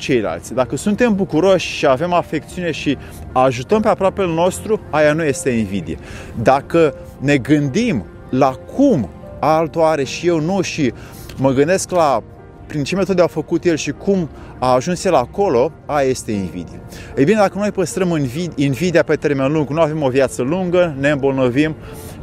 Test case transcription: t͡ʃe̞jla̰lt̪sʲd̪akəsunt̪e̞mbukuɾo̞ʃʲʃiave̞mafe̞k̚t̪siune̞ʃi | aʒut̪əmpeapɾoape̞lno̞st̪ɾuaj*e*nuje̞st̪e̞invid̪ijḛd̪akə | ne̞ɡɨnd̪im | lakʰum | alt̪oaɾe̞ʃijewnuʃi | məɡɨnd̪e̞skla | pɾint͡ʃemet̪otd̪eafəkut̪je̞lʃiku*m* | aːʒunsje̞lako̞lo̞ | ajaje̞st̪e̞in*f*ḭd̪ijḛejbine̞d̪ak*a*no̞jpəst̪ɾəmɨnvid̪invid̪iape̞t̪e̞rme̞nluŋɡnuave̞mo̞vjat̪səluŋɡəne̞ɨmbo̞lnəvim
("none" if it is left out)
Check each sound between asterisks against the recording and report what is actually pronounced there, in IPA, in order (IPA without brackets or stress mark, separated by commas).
a, m, v, ə